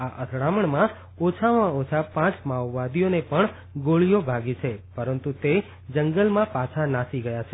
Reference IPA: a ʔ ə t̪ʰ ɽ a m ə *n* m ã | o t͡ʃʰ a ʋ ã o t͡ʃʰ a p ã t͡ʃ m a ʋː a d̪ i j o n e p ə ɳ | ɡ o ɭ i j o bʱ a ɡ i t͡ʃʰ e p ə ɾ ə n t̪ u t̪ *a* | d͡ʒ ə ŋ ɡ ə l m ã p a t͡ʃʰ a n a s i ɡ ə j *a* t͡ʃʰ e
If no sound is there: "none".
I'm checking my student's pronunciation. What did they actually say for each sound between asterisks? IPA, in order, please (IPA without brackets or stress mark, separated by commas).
ɳ, e, a